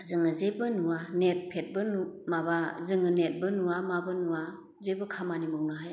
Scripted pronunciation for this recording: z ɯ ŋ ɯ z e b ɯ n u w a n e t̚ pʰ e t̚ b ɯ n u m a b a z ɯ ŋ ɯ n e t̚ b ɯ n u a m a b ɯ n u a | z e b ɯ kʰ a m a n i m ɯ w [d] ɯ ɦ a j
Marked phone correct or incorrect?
incorrect